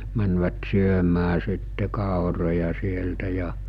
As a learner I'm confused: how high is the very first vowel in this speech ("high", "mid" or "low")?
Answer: low